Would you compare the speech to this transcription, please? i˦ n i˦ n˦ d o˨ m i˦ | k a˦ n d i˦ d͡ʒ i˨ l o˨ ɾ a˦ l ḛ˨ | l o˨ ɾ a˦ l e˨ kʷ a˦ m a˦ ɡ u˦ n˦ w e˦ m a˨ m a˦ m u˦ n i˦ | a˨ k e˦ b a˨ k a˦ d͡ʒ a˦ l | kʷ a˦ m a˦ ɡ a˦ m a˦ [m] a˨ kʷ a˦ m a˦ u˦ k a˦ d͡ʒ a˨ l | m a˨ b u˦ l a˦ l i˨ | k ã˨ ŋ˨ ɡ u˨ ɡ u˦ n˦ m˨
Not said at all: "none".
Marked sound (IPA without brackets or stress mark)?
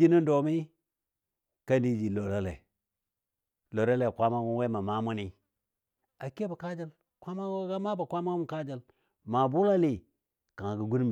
b